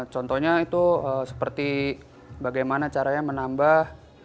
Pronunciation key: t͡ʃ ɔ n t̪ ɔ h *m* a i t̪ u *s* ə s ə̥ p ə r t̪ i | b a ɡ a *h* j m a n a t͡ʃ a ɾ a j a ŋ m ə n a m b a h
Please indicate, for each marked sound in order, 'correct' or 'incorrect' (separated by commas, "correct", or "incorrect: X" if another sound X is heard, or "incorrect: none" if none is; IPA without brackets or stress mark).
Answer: incorrect: ɲ, incorrect: none, incorrect: none